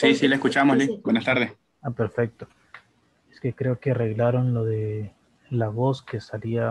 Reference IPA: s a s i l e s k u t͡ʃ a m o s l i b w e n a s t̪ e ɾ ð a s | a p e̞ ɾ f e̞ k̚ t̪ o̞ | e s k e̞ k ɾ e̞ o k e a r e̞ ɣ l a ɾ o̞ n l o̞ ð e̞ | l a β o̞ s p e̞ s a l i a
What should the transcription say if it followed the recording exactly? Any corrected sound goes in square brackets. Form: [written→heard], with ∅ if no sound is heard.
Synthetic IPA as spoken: s [a→i] s i l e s k u t͡ʃ a m o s l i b w e n a s t̪ [e→a] ɾ ð [a→e] s | a p e̞ ɾ f e̞ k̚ t̪ o̞ | e s k e̞ k ɾ e̞ o k e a r e̞ ɣ l a ɾ o̞ n l o̞ ð e̞ | l a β o̞ s [p→k] e̞ s a l i a